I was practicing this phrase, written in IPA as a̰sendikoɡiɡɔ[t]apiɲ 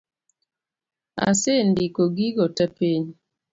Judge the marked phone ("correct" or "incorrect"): correct